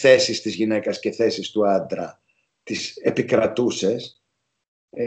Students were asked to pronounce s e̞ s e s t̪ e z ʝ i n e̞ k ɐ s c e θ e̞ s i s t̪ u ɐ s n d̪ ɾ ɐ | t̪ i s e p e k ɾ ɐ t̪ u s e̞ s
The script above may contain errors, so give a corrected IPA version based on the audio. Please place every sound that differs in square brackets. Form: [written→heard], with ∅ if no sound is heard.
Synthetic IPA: [s→θ] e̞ s [e→i] s t̪ [e→i] z ʝ i n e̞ k ɐ s c e θ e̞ s i s t̪ u ɐ [s→∅] n d̪ ɾ ɐ | t̪ i s e p [e→i] k ɾ ɐ t̪ u s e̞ s